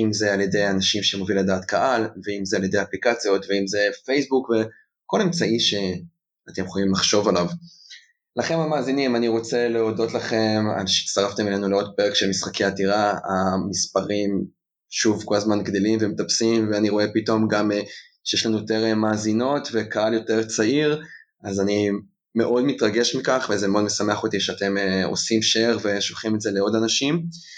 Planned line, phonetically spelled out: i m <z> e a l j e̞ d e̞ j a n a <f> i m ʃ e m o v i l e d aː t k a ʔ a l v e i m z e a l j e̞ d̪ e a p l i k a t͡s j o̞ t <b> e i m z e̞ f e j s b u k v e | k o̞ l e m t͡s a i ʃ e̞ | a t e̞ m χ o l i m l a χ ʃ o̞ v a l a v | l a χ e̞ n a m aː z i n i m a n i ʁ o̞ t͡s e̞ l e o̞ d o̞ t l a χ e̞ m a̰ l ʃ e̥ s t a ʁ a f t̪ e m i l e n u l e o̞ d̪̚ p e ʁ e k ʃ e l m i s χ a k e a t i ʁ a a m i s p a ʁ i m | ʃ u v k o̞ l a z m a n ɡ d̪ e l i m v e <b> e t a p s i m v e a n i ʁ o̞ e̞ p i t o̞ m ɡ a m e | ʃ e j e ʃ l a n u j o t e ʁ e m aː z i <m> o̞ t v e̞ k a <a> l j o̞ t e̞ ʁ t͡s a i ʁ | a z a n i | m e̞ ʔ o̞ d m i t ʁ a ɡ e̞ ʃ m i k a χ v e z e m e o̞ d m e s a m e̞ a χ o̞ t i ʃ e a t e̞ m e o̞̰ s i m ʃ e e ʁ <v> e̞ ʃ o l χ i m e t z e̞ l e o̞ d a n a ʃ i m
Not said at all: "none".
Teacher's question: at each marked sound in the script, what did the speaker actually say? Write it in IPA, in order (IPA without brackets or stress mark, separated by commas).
z, ʃ, v, m, n, a, v